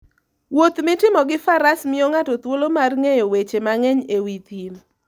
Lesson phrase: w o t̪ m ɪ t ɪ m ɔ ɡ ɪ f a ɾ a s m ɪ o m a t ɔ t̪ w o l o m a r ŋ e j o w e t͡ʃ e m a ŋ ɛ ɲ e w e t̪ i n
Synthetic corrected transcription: w o t̪ m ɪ t ɪ m ɔ ɡ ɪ f a ɾ a s m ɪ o ŋ a t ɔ t̪ w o l o m a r ŋ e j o w e t͡ʃ e m a ŋ ɛ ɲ e w i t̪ i n